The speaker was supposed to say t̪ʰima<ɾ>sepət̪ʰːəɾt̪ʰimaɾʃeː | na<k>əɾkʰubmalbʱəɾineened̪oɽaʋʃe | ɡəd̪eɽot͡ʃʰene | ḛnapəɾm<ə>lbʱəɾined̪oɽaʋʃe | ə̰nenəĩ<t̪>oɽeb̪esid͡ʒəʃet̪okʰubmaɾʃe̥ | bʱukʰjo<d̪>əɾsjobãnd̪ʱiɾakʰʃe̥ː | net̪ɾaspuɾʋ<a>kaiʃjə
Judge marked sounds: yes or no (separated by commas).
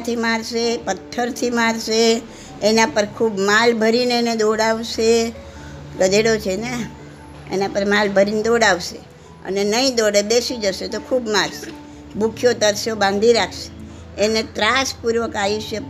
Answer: yes, no, no, no, no, no